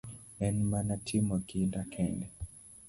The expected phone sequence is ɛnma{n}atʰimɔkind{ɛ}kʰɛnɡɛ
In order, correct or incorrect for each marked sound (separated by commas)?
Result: correct, incorrect